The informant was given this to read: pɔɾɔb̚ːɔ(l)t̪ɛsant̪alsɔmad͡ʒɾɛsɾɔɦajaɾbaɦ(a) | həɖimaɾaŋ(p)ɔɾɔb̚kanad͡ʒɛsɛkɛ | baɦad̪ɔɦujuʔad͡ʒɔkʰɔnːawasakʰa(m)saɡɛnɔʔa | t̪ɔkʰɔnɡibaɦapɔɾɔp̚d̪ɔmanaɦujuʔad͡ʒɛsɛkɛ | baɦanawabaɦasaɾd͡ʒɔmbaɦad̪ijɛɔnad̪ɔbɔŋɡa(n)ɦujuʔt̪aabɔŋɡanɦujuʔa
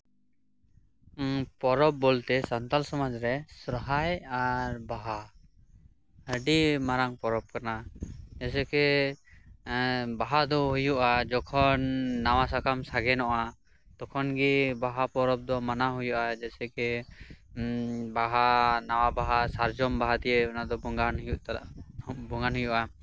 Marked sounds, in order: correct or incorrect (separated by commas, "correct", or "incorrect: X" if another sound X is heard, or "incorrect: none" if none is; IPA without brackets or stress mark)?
correct, correct, correct, correct, correct